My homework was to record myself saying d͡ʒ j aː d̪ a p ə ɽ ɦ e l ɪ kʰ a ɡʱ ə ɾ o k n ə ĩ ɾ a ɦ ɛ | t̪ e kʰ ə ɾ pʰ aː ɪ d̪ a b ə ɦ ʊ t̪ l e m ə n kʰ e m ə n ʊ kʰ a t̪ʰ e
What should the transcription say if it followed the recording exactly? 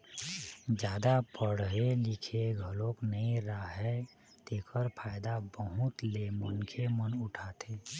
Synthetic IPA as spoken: d͡ʒ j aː d̪ a p ə ɽ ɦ e l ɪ kʰ e ɡʱ ə l o k n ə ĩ ɾ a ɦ ɛ | t̪ e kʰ ə ɾ pʰ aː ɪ d̪ a b ə ɦ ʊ t̪ l e m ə n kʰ e m ə n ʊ ʈʰ a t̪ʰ e